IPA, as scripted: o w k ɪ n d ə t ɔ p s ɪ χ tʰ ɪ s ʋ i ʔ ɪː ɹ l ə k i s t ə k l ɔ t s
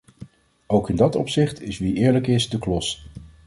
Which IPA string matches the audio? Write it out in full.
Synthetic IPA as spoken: o w k ɪ n d ɑ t ɔ p s ɪ χ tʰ ɪ s ʋ i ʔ ɪː ɹ l ə k ɪ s d ə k l ɔ s